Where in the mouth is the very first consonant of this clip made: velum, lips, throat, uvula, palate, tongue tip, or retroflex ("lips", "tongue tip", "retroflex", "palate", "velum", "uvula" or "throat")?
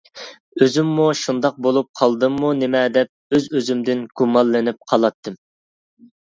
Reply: tongue tip